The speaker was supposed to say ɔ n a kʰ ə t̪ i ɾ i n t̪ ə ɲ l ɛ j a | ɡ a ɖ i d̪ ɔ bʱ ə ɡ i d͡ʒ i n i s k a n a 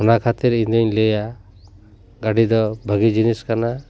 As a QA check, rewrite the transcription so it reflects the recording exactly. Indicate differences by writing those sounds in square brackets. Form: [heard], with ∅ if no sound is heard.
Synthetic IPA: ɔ n a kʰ [a] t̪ i ɾ i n [d̪] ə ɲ l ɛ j a | ɡ a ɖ i d̪ ɔ bʱ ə ɡ i d͡ʒ i n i s k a n a